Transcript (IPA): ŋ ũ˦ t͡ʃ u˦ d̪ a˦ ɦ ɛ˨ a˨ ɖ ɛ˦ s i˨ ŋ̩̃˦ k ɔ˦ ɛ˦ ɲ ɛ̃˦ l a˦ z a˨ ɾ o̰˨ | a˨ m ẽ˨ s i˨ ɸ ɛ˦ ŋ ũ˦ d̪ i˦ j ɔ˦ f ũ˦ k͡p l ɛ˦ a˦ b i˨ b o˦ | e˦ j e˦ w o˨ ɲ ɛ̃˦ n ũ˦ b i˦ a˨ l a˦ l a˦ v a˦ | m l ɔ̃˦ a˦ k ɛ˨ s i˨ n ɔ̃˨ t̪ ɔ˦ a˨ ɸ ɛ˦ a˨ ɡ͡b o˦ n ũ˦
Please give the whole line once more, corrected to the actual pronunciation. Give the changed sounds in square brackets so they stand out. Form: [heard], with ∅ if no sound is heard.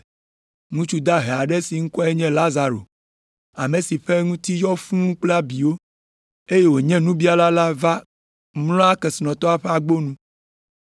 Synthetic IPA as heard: ŋ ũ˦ t͡ʃ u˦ d̪ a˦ ɦ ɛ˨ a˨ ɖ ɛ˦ s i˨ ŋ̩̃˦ k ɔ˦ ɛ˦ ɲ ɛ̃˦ l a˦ z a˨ ɾ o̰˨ | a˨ m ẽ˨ s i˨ ɸ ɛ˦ ŋ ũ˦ [t̪] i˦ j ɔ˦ f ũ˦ k͡p l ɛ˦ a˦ b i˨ [w] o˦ | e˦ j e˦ w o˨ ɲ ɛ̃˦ n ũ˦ b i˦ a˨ l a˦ l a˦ v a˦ | m l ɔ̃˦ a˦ k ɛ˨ s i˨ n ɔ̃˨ t̪ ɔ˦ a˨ ɸ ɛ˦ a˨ ɡ͡b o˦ n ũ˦